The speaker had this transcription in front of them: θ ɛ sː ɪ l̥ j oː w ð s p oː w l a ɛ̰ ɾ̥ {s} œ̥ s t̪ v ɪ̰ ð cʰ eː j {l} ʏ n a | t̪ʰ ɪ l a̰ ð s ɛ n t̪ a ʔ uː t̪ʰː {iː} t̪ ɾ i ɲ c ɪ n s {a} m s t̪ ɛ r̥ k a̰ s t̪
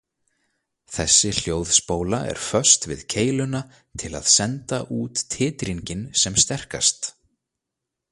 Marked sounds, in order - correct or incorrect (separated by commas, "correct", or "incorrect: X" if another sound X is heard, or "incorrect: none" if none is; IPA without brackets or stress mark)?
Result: incorrect: f, correct, incorrect: ɪː, incorrect: ɛ